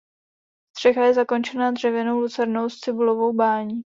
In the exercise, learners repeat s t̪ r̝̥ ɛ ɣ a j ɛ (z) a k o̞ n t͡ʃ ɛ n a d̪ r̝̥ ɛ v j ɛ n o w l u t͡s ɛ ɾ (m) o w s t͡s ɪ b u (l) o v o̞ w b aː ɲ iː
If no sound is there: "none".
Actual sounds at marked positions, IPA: z, n, l

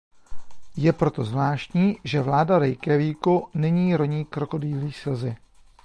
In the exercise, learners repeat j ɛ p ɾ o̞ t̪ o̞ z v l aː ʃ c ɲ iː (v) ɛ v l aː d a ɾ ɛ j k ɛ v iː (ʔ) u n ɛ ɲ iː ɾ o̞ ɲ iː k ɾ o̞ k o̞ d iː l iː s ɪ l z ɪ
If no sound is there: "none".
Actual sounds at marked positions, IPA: ʒ, k

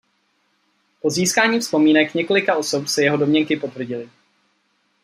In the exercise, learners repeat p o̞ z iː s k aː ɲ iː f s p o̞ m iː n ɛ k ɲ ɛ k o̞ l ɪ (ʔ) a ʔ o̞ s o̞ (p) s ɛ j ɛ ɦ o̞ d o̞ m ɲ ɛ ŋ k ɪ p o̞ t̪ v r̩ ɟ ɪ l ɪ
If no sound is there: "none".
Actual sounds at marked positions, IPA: k, p

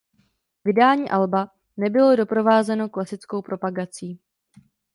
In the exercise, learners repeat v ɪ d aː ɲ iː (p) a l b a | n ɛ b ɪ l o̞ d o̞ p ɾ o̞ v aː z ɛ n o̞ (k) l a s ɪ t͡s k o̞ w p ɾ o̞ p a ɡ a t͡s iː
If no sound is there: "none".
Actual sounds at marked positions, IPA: ʔ, k

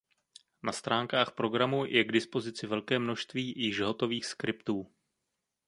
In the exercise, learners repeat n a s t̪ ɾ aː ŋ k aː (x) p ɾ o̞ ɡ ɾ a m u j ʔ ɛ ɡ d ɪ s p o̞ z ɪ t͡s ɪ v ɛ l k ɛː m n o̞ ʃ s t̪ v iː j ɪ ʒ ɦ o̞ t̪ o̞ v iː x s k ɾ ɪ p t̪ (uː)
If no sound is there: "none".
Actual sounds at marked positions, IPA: x, uː

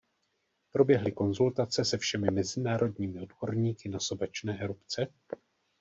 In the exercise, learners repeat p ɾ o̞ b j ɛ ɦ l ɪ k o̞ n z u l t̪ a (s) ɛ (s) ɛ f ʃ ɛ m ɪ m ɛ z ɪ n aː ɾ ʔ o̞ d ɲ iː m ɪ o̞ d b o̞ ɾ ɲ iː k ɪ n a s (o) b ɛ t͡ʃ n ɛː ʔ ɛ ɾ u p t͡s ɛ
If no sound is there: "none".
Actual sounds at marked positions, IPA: t͡s, s, o

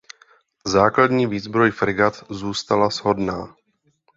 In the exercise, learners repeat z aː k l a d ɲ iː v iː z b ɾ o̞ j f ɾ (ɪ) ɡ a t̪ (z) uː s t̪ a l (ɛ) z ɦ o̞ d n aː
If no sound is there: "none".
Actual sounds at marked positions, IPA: ɪ, z, a

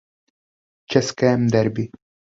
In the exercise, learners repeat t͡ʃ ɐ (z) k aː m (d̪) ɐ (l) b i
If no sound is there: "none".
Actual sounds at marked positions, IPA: s, d̪, ɾ

